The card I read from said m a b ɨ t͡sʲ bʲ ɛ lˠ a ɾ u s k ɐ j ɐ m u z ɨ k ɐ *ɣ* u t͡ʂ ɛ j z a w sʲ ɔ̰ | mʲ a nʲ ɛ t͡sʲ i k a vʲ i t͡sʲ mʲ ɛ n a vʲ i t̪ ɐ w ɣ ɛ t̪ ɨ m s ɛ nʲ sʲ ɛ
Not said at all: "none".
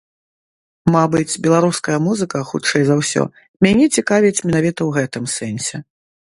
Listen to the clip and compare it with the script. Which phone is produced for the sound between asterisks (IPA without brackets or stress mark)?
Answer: x